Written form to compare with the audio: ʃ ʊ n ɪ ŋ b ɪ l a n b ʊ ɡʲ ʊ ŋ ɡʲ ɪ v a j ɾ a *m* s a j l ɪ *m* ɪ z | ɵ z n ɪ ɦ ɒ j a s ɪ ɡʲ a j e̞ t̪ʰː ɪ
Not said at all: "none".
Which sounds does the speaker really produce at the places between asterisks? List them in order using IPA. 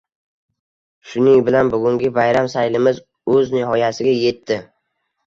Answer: m, m

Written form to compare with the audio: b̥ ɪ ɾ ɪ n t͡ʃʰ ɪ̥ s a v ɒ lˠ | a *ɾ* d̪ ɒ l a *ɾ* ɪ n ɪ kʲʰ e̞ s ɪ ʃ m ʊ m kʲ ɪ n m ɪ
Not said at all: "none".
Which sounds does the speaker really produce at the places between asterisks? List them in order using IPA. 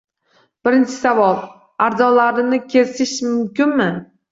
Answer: ɾ, ɾ

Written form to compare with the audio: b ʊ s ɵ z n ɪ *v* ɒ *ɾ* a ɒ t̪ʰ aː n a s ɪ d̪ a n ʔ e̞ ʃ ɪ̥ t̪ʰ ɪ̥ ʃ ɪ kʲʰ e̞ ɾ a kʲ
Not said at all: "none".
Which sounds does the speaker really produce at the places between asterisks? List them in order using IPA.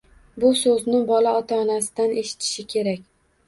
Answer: b, l

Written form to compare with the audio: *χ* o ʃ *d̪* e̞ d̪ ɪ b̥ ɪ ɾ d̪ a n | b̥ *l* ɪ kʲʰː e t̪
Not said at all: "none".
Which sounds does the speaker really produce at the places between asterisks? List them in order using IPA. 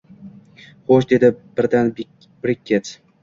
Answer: χ, d̪, ɾ

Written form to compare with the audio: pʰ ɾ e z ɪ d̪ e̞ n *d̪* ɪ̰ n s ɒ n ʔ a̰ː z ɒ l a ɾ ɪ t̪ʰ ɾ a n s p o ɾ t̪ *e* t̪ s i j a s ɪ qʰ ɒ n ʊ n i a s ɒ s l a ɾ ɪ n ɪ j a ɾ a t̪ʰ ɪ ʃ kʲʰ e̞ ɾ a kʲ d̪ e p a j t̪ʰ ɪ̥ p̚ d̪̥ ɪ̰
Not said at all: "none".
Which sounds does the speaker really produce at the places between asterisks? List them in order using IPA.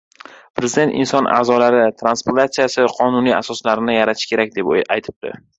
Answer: t̪, a

